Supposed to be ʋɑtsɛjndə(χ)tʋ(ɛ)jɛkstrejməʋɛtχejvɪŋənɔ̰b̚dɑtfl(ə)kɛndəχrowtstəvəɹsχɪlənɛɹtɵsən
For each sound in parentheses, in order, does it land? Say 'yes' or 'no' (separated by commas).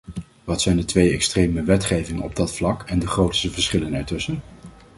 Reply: no, no, no